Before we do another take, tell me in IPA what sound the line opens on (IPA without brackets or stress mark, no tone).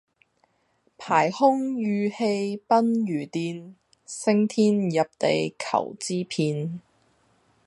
pʰ